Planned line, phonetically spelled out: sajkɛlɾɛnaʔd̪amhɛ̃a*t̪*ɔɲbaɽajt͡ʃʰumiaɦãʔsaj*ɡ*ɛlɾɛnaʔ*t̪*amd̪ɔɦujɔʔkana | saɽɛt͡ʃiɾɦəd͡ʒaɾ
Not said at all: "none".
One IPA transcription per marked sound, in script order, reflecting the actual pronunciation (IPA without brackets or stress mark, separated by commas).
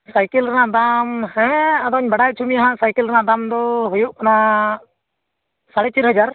d̪, k, d̪